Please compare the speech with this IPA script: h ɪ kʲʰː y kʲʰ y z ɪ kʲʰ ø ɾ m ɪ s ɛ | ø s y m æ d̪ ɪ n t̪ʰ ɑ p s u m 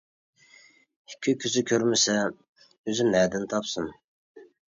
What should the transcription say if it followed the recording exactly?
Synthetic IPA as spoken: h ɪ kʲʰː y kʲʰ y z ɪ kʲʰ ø ɾ m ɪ s ɛ | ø z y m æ d̪ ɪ n t̪ʰ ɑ p s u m